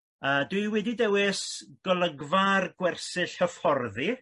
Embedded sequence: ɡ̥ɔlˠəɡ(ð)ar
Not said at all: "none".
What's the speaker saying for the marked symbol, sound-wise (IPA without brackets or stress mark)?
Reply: v